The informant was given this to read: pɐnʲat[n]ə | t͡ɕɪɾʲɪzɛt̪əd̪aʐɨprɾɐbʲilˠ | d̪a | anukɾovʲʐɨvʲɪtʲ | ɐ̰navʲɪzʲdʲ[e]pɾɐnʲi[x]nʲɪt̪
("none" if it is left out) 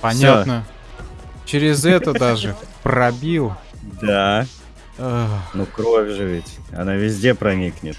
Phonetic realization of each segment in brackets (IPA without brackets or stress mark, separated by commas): n, e, k